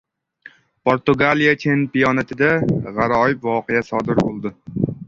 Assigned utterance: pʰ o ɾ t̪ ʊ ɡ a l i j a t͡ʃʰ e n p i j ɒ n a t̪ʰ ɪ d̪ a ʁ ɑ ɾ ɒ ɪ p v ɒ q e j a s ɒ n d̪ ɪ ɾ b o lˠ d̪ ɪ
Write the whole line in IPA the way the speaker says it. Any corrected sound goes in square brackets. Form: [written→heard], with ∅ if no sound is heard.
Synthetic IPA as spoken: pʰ o ɾ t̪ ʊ ɡ a l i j a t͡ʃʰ e n p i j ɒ n a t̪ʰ ɪ d̪ a ʁ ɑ ɾ ɒ ɪ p v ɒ q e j a s ɒ [n→∅] d̪ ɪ ɾ b o lˠ d̪ ɪ